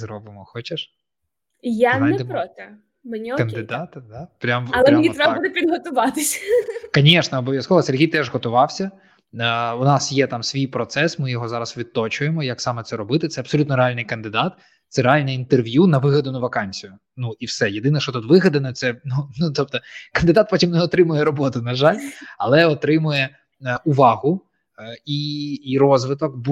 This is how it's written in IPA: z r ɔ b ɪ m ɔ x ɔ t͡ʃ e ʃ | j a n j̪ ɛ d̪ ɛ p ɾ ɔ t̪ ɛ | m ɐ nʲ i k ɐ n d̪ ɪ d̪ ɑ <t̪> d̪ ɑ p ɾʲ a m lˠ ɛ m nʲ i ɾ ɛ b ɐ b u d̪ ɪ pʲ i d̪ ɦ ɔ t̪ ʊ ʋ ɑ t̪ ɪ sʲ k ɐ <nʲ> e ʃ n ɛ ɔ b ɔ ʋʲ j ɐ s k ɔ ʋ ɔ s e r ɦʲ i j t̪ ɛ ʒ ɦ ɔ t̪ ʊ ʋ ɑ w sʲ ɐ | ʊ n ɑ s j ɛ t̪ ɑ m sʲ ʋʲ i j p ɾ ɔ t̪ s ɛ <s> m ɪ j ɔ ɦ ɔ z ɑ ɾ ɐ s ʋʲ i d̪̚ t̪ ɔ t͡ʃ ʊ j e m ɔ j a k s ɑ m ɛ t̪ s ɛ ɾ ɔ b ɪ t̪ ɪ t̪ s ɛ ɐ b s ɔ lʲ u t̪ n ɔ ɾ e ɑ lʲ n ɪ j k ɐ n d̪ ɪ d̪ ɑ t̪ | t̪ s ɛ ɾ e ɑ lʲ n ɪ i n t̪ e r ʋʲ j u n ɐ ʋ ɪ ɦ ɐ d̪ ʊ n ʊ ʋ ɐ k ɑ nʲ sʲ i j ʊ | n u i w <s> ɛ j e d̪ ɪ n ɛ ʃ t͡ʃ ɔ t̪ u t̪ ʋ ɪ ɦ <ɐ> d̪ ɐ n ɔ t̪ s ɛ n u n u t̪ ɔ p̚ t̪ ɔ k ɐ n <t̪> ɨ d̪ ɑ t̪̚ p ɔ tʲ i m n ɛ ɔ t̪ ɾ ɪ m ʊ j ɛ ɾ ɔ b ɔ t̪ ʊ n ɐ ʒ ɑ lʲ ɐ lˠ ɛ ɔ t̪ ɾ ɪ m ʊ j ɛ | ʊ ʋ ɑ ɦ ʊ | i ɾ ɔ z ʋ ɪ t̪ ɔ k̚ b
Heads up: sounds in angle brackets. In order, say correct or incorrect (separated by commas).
correct, correct, correct, correct, correct, incorrect